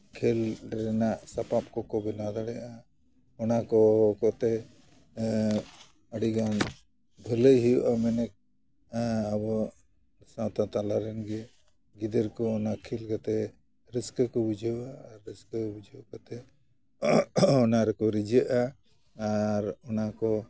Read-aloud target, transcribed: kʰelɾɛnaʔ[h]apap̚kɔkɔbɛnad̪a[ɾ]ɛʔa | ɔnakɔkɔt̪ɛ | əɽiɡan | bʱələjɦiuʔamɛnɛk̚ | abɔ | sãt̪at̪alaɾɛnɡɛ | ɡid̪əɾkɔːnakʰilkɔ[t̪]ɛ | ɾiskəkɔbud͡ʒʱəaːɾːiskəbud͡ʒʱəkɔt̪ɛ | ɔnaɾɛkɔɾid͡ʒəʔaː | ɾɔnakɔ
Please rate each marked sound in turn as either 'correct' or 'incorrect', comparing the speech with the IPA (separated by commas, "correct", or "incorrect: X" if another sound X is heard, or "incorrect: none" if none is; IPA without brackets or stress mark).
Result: incorrect: s, incorrect: ɽ, correct